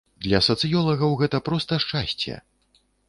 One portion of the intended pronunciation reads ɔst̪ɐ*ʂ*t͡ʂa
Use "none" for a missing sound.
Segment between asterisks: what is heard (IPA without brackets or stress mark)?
ʂ